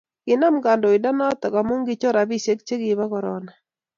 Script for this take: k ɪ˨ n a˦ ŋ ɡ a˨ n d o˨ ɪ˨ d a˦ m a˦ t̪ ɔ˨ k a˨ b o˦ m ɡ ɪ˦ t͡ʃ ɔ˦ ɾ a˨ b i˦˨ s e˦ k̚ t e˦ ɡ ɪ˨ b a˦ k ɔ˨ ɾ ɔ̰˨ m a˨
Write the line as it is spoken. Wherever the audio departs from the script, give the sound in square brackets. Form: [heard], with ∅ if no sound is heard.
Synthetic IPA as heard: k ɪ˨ n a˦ [m] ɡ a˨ n d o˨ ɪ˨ d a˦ [n] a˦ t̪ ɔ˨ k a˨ [m] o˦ [ŋ] ɡ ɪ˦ t͡ʃ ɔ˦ ɾ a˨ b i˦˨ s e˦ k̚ [t͡ʃ] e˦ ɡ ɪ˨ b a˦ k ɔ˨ ɾ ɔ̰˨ [n] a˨